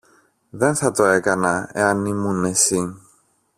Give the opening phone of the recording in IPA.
ð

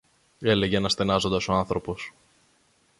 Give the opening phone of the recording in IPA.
e̞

